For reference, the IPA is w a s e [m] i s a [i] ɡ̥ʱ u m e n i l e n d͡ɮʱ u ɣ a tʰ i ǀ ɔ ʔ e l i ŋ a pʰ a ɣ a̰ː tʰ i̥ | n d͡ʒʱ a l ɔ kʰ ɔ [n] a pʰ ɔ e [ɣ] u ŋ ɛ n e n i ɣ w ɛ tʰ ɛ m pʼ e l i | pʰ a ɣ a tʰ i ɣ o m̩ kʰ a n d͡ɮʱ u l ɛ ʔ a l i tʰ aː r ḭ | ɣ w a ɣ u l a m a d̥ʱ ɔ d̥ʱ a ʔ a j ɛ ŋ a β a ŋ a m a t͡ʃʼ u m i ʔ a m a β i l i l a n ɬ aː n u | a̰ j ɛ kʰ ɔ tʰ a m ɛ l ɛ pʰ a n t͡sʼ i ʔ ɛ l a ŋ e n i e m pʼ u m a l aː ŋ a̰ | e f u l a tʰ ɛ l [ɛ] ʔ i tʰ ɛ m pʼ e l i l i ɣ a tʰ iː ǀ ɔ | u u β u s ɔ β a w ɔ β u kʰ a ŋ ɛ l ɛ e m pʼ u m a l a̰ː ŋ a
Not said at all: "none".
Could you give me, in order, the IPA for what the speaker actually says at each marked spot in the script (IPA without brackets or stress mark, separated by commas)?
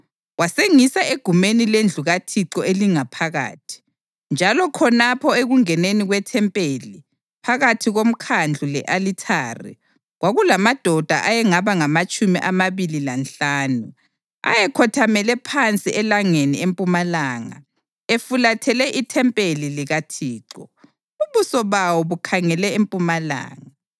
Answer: ŋ, e, n, ɣ, ɛ